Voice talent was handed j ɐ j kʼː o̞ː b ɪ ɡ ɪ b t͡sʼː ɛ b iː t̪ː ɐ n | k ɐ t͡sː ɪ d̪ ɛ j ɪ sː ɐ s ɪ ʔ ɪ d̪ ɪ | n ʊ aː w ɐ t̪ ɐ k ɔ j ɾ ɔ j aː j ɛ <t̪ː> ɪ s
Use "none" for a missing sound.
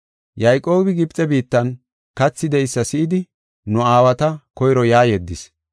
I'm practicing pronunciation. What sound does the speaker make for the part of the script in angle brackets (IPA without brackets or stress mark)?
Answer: d̪ː